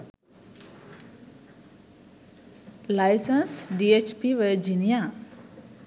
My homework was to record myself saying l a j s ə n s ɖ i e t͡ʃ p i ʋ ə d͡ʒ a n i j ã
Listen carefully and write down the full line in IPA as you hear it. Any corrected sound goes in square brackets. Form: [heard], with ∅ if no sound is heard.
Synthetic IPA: l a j s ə n s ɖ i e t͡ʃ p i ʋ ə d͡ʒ [i] n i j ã